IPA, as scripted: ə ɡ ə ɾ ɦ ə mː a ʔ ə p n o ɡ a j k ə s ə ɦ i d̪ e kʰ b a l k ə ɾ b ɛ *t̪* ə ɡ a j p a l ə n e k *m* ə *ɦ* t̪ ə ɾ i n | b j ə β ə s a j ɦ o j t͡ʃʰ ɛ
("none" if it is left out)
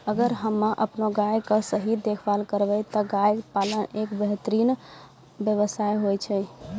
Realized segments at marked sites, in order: t̪, b, ɦ

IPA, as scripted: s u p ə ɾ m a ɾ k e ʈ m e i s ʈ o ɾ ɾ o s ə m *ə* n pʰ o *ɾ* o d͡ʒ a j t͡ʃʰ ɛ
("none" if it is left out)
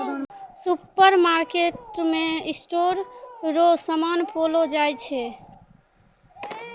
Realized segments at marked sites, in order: a, l

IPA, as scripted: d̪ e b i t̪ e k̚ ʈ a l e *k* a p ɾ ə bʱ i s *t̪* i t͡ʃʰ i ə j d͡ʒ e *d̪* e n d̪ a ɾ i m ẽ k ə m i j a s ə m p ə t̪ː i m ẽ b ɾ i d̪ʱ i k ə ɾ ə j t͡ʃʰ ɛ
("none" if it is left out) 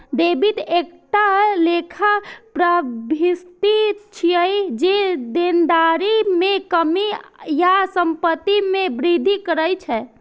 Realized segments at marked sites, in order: kʰ, t̪, d̪

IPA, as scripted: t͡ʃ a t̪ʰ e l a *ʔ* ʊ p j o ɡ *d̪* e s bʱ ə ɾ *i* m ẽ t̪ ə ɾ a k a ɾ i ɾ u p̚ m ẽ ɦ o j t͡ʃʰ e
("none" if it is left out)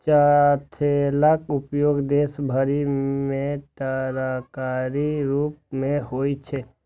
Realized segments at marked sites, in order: k, d̪, i

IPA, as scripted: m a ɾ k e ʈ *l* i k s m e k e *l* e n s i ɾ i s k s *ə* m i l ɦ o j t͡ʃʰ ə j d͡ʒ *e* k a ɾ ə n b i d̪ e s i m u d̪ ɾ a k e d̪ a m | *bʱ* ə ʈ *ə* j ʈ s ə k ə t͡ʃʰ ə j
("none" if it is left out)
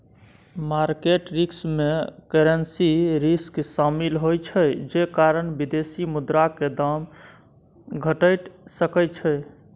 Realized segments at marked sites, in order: ɾ, ɾ, a, e, ɡʱ, ə

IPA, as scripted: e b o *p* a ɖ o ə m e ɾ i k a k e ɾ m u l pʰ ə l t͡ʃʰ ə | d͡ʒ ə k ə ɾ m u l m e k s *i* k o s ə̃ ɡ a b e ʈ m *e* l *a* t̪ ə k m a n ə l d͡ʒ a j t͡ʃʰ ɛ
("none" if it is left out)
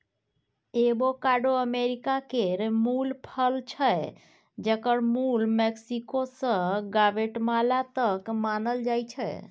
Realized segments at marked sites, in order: k, i, a, a

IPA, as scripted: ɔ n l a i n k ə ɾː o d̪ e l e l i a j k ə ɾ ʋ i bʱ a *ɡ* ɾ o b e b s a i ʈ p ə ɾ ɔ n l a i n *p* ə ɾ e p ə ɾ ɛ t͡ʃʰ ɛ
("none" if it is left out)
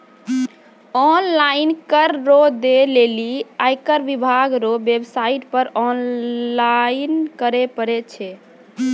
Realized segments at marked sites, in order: ɡ, k

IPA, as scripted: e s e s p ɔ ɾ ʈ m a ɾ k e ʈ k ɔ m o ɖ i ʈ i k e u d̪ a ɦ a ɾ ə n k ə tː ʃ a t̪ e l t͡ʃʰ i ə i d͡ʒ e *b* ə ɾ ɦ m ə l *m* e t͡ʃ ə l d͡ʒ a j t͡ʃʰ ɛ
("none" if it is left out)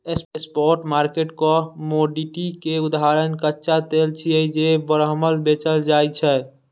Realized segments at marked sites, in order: b, b

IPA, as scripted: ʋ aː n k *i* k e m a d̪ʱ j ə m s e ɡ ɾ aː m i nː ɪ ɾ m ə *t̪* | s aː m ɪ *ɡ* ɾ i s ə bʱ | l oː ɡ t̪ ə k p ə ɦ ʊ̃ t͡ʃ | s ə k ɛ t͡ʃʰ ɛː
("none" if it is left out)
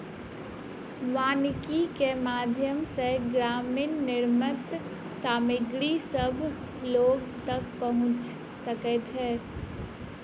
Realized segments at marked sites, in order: i, t̪, ɡ

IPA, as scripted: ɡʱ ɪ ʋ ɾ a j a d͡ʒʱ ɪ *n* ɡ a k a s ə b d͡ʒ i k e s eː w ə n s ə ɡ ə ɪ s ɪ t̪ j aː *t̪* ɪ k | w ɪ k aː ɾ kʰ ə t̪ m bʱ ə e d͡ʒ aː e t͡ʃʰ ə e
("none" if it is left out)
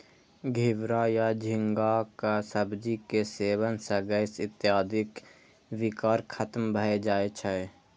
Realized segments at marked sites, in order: ŋ, d̪

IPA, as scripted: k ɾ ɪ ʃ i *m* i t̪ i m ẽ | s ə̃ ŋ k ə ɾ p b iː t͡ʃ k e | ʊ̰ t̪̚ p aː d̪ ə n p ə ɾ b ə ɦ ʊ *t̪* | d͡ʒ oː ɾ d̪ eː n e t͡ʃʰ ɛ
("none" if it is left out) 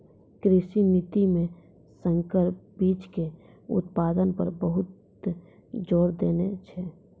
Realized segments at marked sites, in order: n, t̪

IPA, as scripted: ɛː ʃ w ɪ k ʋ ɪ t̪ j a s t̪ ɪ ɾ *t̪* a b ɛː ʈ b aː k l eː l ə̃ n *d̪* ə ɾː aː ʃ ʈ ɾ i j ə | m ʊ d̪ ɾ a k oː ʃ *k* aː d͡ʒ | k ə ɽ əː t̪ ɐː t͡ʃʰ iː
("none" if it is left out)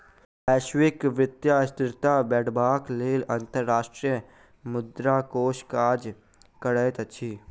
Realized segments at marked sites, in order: t̪, t̪, k

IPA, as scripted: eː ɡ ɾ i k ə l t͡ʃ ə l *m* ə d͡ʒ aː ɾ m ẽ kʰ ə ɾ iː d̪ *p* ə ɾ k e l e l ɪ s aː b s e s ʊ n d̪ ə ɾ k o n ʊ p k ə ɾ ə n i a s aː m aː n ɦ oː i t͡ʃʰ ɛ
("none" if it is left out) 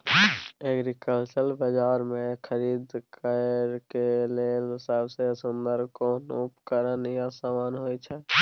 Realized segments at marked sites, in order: b, k

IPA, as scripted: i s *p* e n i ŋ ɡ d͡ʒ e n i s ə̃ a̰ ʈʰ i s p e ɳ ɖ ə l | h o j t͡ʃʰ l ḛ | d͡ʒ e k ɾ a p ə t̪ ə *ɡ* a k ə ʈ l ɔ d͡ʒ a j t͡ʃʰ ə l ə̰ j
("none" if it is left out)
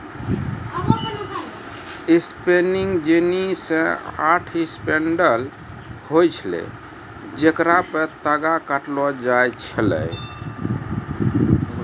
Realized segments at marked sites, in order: p, ɡ

